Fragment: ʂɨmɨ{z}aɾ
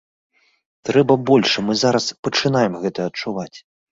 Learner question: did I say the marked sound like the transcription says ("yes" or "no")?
yes